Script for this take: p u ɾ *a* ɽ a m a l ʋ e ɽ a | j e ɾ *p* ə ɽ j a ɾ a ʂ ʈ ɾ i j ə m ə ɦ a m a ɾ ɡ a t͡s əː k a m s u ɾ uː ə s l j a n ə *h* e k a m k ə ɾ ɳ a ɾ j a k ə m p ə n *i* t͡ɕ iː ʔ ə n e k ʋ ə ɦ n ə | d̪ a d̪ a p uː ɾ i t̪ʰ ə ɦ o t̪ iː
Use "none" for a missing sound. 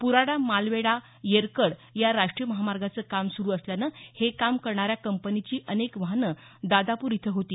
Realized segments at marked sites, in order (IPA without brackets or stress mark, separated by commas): a, k, h, i